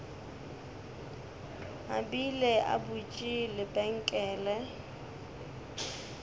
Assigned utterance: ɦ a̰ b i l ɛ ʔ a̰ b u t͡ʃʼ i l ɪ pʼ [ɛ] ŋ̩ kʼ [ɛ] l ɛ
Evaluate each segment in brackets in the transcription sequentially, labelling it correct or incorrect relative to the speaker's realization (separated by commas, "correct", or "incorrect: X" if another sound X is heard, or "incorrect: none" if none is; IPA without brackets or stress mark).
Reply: correct, incorrect: ɛː